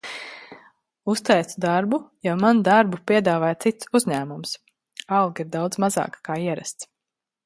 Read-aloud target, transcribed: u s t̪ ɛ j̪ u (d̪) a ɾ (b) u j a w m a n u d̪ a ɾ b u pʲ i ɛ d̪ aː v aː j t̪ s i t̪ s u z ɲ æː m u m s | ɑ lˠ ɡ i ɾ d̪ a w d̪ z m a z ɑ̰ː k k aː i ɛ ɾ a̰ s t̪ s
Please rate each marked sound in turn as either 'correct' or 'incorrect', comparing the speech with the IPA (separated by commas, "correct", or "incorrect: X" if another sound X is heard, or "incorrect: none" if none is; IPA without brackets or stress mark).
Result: correct, correct